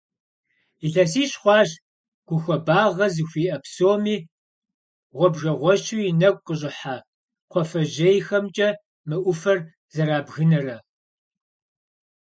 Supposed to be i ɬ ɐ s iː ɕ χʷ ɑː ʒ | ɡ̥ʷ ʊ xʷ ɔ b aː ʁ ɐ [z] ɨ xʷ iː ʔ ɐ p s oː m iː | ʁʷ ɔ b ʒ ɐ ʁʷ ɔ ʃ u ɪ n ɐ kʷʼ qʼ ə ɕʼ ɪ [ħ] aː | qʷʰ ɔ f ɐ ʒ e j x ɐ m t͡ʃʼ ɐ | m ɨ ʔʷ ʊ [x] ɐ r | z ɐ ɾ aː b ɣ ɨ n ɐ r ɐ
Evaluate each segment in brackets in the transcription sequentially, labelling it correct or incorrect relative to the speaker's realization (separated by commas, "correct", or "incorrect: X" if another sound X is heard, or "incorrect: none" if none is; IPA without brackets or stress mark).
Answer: correct, correct, incorrect: f